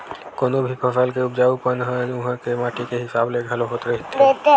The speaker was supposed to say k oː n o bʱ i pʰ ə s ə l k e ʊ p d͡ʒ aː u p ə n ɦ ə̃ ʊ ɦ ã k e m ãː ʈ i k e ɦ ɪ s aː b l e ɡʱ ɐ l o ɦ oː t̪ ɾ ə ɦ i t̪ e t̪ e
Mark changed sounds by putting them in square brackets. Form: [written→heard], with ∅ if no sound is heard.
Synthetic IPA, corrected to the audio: k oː n o bʱ i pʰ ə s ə l k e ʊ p d͡ʒ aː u p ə n ɦ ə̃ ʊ ɦ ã k e m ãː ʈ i k e ɦ ɪ s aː b l e ɡʱ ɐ l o ɦ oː t̪ ɾ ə ɦ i t̪ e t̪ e